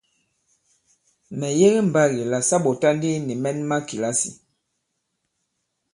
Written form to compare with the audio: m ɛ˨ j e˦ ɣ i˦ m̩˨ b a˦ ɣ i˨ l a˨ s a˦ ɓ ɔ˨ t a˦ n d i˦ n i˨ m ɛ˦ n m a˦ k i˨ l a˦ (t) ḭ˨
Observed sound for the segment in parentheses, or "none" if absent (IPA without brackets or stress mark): s